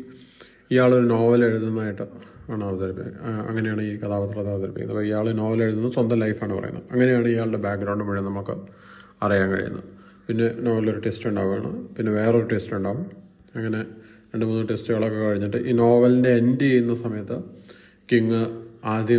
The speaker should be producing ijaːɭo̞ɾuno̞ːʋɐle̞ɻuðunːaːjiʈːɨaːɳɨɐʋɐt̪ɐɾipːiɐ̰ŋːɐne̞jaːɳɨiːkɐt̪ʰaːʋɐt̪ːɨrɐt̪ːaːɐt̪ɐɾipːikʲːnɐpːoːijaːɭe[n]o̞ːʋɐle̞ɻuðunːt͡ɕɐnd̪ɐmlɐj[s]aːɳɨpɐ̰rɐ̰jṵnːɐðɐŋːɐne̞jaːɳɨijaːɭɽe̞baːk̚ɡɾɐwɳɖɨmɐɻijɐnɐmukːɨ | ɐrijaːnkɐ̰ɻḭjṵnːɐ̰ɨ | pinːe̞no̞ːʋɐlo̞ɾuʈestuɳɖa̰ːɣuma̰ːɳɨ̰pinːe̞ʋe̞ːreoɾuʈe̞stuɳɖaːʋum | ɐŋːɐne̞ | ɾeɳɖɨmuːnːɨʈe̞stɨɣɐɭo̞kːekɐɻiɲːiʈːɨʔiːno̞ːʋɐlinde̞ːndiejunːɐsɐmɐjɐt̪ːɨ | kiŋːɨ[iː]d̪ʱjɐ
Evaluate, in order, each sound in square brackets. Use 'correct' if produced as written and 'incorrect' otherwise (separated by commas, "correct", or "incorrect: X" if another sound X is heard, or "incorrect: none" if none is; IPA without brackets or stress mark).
correct, incorrect: f, incorrect: aː